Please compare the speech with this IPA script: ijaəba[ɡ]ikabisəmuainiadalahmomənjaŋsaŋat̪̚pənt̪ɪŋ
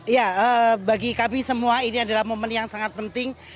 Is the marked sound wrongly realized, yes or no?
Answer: no